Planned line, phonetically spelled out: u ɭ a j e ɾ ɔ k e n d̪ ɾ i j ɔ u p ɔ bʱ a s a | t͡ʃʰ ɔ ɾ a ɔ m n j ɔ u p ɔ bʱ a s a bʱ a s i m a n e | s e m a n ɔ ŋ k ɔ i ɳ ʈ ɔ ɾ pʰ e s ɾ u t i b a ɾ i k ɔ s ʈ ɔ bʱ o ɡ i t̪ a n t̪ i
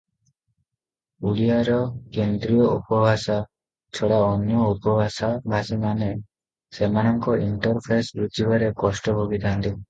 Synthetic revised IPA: u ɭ i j a ɾ ɔ k e n d̪ ɾ i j ɔ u p ɔ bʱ a s a | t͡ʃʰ ɔ ɽ a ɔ n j ɔ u p ɔ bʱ a s a bʱ a s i m a n e | s e m a n ɔ ŋ k ɔ i ɳ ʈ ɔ ɾ pʰ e s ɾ u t i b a ɾ e k ɔ s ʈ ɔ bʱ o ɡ i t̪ a n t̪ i